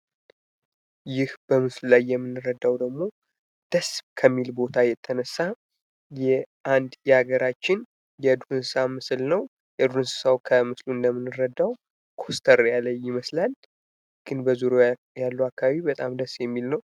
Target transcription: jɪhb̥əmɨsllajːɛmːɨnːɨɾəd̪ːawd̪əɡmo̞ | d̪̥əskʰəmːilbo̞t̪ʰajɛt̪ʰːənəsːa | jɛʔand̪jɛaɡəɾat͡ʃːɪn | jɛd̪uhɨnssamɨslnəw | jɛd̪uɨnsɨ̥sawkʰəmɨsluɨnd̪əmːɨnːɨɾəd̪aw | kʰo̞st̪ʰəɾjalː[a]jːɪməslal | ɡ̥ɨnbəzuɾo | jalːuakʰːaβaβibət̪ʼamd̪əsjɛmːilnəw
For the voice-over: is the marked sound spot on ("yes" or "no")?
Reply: no